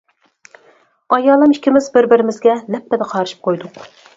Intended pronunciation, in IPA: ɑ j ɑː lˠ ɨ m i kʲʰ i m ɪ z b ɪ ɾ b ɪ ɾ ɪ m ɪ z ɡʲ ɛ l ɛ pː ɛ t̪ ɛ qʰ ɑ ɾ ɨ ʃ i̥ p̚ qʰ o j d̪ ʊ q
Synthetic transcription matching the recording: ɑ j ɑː lˠ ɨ m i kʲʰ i m ɪ z b ɪ ɾ b ɪ ɾ ɪ m ɪ z ɡʲ ɛ l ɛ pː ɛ d̪ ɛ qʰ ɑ ɾ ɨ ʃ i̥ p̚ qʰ o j d̪ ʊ q